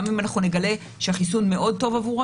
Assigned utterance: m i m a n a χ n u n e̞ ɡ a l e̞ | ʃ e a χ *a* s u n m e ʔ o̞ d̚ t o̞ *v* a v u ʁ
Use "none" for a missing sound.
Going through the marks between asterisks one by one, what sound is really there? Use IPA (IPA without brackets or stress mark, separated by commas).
i, v